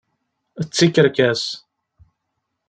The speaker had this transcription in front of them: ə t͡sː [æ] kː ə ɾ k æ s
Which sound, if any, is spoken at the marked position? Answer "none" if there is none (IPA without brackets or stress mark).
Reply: i